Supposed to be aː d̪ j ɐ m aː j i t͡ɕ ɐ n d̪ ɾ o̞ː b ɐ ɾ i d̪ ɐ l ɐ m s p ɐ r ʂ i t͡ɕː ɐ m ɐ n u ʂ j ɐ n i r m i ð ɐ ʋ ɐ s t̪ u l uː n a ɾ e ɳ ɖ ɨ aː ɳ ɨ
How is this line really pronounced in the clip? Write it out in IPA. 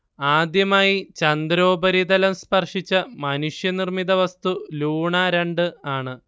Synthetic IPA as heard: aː d̪ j ɐ m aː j i t͡ɕ ɐ n d̪ ɾ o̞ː b ɐ ɾ i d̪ ɐ l ɐ m s p ɐ r ʂ i t͡ɕː ɐ m ɐ n u ʂ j ɐ n i r m i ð ɐ ʋ ɐ s t̪ u l uː ɳ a ɾ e ɳ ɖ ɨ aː ɳ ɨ

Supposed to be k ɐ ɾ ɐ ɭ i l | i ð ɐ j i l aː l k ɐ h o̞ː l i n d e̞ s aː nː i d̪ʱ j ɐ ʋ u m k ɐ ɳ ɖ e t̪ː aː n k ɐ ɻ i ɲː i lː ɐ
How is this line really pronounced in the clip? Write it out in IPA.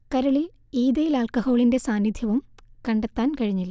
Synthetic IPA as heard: k ɐ ɾ ɐ ɭ i l | iː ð ɐ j i l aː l k ɐ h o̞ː ɭ i n d e̞ s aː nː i d̪ʱ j ɐ ʋ u m k ɐ ɳ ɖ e t̪ː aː n k ɐ ɻ i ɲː i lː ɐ

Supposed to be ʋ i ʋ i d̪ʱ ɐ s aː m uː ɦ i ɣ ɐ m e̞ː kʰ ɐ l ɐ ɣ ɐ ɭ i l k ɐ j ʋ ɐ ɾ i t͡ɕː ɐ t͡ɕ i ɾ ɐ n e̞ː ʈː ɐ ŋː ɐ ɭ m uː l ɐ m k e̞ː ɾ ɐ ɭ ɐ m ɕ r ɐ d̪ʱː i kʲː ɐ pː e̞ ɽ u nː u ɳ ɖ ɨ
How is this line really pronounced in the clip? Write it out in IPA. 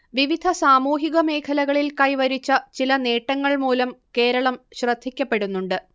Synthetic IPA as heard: ʋ i ʋ i d̪ʱ ɐ s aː m uː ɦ i ɣ ɐ m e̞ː kʰ ɐ l ɐ ɣ ɐ ɭ i l k ɐ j ʋ ɐ ɾ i t͡ɕː ɐ t͡ɕ i l ɐ n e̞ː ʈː ɐ ŋː ɐ ɭ m uː l ɐ m k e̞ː ɾ ɐ ɭ ɐ m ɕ r ɐ d̪ʱː i kʲː ɐ pː e̞ ɽ u nː u ɳ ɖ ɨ

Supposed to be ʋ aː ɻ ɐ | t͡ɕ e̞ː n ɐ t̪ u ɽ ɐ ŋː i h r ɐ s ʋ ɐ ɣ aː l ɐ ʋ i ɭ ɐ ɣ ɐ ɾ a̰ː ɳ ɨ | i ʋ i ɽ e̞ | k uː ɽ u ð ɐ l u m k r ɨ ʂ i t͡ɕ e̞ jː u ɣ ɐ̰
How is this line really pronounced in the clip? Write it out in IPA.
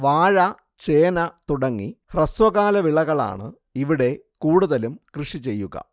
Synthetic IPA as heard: ʋ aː ɻ ɐ | t͡ɕ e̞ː n ɐ t̪ u ɽ ɐ ŋː i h r ɐ s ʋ ɐ ɣ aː l ɐ ʋ i ɭ ɐ ɣ ɐ ɭ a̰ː ɳ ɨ | i ʋ i ɽ e̞ | k uː ɽ u ð ɐ l u m k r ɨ ʂ i t͡ɕ e̞ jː u ɣ ɐ̰

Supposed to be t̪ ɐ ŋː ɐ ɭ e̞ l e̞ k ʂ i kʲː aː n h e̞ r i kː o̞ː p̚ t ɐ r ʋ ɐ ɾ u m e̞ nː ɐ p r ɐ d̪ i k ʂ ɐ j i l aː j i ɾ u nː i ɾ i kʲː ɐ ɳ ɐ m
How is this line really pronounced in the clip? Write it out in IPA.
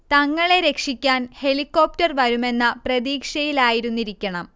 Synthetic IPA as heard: t̪ ɐ ŋː ɐ ɭ e̞ ɾ e̞ k ʂ i kʲː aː n h e̞ l i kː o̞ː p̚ t ɐ r ʋ ɐ ɾ u m e̞ nː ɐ p r ɐ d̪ iː k ʂ ɐ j i l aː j i ɾ u nː i ɾ i kʲː ɐ ɳ ɐ m

